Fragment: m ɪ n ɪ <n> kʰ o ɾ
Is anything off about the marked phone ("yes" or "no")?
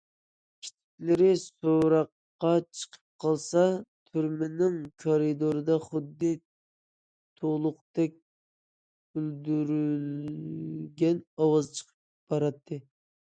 yes